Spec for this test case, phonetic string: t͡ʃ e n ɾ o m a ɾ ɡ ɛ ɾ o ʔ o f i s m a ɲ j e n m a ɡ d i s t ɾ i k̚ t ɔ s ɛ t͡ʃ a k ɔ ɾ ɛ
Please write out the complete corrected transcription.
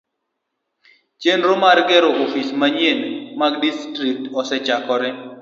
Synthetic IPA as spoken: t͡ʃ e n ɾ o m a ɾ ɡ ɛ ɾ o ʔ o f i s m a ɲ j e n m a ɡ d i s t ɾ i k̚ t ɔ s ɛ t͡ʃ a k ɔ ɾ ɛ